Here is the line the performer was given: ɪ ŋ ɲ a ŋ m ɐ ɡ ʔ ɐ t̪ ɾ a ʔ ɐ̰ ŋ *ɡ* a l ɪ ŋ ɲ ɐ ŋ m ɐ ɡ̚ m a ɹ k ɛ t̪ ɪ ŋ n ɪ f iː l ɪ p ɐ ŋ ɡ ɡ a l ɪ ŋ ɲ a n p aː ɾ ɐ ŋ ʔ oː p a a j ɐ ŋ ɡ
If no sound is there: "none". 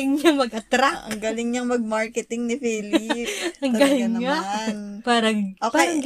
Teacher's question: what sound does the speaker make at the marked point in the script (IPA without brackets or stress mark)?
ɡ